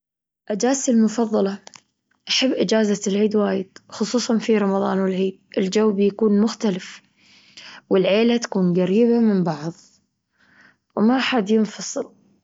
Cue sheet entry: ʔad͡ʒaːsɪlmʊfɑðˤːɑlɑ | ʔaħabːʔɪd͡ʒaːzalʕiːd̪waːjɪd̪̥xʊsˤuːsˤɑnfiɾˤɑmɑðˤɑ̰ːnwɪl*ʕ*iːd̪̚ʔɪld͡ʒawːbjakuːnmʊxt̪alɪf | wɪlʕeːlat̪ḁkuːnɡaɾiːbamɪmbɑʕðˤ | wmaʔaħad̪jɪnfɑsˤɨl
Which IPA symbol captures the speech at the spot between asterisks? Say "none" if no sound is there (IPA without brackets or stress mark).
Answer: ʕ